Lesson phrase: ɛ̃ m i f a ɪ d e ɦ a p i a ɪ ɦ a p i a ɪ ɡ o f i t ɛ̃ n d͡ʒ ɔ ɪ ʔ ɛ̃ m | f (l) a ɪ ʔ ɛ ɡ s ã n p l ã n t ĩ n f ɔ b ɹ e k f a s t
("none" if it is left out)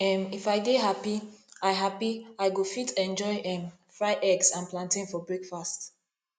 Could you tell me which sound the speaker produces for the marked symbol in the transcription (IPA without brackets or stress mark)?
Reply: ɹ